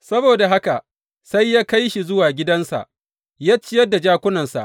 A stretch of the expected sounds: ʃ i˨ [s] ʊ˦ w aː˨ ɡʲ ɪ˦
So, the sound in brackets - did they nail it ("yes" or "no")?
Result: no